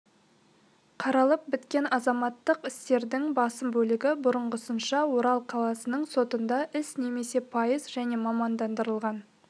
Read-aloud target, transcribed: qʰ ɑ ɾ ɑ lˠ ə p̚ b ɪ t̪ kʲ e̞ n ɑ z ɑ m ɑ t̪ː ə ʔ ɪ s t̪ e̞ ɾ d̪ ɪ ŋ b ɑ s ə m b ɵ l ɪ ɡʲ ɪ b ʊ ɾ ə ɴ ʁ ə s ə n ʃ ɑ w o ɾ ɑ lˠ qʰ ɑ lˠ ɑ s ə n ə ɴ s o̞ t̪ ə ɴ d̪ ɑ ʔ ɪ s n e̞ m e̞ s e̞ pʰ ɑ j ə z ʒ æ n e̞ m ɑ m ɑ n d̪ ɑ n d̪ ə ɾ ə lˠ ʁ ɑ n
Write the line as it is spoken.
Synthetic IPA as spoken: qʰ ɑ ɾ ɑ lˠ ə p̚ b ɪ t̪ kʲ e̞ n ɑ z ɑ m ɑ t̪ː ə q ɪ s t̪ e̞ ɾ d̪ ɪ ŋ b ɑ s ə m b ɵ l ɪ ɡʲ ɪ b ʊ ɾ ə ɴ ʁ ə s ə n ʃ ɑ w o ɾ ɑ lˠ qʰ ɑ lˠ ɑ s ə n ə ɴ s o̞ t̪ ə n d̪ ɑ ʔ ɪ s n e̞ m e̞ s e̞ pʰ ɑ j ə z ʒ æ n e̞ m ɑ m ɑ n d̪ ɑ n d̪ ə ɾ ə lˠ ʁ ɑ n